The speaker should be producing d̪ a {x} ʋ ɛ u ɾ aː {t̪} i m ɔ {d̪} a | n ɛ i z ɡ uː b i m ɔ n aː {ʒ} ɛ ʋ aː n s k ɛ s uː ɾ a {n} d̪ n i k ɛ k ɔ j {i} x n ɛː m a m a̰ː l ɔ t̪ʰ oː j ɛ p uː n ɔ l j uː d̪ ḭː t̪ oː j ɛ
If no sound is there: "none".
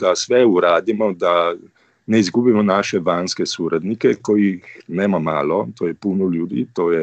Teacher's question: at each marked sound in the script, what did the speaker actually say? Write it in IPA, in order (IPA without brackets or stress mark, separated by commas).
s, d̪, d̪, ʃ, none, i